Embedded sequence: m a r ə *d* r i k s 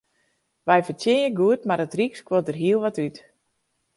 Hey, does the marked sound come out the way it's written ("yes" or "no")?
no